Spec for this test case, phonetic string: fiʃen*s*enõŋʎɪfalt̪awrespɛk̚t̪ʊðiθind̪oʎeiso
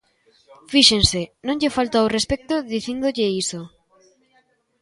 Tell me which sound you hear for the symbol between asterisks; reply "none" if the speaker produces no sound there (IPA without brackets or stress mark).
s